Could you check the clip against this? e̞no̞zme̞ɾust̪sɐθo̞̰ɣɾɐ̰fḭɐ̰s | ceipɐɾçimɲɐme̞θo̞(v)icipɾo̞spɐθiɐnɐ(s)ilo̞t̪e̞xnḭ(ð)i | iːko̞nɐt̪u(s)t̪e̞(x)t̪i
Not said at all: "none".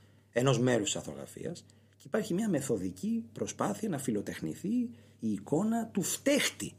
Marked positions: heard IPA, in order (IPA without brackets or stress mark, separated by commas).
ð, f, θ, f, x